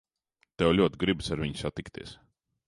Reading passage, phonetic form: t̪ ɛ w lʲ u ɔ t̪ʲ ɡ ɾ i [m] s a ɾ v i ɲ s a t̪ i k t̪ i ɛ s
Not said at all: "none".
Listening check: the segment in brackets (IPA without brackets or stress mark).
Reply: b